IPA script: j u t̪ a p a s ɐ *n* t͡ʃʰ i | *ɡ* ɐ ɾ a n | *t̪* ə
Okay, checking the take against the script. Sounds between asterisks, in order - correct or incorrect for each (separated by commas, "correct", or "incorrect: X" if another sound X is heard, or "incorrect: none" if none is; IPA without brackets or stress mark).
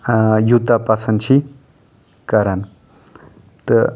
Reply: correct, incorrect: k, correct